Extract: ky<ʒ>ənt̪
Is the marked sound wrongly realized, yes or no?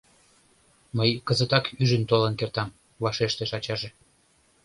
no